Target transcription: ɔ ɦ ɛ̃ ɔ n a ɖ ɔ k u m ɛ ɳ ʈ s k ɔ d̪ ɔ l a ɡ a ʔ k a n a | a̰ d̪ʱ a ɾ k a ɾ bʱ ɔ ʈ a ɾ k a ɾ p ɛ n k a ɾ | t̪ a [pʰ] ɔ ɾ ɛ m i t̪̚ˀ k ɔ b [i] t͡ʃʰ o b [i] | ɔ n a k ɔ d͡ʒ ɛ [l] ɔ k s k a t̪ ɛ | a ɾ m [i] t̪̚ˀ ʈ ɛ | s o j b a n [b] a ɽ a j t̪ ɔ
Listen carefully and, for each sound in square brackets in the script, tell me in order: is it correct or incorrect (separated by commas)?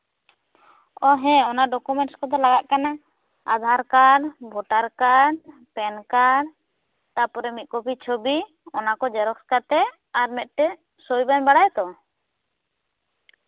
incorrect, correct, correct, incorrect, incorrect, correct